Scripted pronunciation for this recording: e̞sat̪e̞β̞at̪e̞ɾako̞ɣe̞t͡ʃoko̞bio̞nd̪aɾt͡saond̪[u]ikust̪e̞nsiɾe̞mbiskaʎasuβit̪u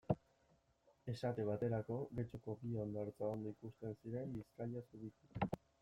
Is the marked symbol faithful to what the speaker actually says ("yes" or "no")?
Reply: no